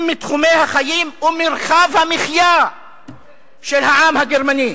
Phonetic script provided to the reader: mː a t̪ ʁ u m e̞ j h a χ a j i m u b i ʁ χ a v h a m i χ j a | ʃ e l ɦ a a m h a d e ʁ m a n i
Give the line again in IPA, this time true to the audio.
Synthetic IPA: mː i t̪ χ u m e̞ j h a χ a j i m u m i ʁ χ a v h a m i χ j a | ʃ e l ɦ a a m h a ɡ e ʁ m a n i

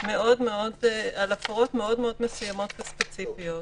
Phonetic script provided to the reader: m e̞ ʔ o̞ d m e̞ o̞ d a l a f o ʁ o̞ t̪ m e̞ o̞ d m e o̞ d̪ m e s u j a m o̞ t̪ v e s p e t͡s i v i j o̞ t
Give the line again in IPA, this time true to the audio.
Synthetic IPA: m e̞ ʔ o̞ d m e̞ o̞ d a l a f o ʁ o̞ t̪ m e̞ o̞ d m e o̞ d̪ m e s u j a m o̞ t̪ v e s p e t͡s i f i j o̞ t

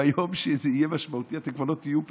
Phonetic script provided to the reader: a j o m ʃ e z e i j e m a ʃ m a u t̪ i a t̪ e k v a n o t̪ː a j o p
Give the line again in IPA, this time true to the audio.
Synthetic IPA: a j o m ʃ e z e i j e m a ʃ m a u t̪ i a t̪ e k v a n o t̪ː i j u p

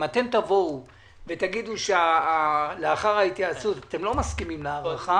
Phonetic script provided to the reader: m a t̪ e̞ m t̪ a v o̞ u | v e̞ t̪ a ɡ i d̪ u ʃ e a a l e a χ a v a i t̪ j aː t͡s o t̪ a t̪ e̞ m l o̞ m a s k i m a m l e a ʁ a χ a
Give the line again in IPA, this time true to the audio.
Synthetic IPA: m a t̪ e̞ m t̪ a v o̞ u | v e̞ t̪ a ɡ i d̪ u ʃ e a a l e a χ a ʁ a i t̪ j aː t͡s u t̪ a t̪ e̞ m l o̞ m a s k i m i m l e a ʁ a χ a

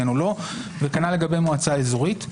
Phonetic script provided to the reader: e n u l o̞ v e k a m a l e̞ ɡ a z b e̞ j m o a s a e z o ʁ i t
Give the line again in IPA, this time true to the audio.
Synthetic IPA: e n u l o̞ v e k a n a l e̞ ɡ a b e̞ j m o a t͡s a e z o ʁ i t

